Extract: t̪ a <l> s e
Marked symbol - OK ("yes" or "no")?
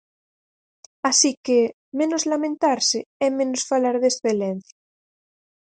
no